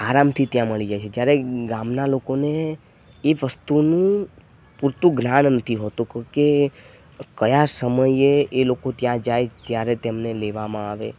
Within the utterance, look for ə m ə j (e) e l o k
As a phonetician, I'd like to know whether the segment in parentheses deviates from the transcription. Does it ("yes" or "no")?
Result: no